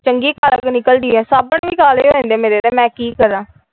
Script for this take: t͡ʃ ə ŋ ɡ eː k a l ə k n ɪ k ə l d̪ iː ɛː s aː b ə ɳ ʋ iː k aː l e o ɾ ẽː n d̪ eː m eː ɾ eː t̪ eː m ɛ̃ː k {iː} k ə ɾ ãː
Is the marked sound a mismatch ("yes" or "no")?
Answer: no